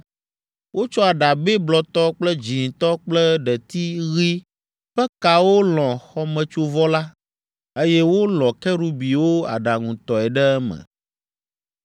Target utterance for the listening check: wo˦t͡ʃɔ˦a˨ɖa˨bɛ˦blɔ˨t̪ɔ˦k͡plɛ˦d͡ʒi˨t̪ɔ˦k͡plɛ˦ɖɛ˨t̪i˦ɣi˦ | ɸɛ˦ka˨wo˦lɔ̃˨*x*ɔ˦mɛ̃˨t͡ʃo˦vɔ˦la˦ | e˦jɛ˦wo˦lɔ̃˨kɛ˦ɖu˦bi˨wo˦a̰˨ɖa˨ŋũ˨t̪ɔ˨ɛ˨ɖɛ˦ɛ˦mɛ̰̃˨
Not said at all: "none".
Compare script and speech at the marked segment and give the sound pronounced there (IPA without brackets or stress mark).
x